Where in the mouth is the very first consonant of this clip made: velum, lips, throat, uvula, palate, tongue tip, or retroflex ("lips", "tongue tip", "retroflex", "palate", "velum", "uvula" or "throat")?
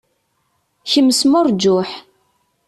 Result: palate